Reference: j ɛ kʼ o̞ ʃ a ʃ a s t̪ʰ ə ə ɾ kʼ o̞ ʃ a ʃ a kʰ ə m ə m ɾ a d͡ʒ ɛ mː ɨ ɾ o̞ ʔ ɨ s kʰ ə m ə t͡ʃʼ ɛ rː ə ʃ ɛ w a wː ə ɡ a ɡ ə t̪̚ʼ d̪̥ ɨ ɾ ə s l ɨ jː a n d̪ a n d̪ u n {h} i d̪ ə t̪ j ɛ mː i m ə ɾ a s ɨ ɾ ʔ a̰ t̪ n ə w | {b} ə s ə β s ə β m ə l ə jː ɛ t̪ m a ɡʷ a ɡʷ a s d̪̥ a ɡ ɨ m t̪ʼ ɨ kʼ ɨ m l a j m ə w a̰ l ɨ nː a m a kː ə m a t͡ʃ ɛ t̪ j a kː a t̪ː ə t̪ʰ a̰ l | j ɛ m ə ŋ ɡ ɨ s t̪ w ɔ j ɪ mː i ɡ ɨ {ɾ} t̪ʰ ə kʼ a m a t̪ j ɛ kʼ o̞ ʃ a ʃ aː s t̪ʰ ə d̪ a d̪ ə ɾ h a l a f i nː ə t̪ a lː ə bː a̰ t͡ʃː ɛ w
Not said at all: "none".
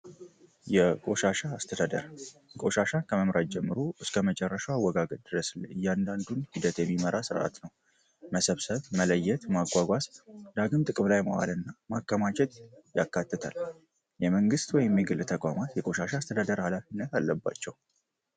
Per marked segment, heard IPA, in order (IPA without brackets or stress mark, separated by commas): h, m, l